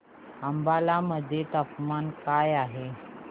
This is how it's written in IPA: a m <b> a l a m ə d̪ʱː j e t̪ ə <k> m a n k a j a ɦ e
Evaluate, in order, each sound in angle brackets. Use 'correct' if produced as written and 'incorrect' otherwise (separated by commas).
correct, incorrect